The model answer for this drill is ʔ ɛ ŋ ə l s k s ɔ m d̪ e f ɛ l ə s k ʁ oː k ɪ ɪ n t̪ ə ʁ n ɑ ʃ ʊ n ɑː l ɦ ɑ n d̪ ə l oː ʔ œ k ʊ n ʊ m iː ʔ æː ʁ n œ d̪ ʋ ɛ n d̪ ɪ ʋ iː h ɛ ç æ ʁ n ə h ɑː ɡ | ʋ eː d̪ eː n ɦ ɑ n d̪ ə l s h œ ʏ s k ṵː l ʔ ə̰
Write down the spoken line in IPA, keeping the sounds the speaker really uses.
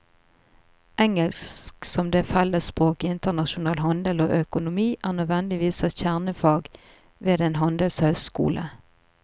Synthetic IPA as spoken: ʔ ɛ ŋ ə l s k s ɔ m d̪ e f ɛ l ə s p ʁ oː k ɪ ɪ n t̪ ə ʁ n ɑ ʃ ʊ n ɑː l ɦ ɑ n d̪ ə l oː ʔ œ k ʊ n ʊ m iː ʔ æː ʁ n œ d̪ ʋ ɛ n d̪ ɪ ʋ iː s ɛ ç æ ʁ n ə f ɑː ɡ | ʋ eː d̪ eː n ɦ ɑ n d̪ ə l s h œ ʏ s k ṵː l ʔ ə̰